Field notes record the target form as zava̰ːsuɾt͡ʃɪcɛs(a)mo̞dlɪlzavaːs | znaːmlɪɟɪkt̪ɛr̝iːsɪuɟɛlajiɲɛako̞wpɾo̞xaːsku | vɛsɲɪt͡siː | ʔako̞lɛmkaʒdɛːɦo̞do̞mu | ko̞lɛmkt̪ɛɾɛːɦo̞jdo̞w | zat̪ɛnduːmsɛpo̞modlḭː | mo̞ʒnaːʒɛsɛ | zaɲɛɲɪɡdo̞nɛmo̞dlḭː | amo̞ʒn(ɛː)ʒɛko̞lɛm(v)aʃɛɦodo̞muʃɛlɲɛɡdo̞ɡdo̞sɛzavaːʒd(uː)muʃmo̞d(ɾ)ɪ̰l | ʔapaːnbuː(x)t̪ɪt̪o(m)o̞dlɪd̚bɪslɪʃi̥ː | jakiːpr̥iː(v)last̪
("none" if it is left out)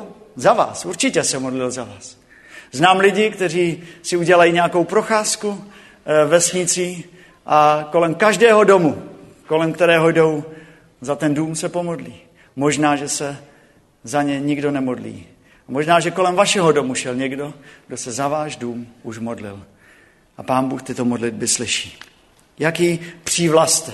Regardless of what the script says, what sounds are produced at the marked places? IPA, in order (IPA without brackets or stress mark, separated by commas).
ɛ, aː, v, uː, l, x, m, v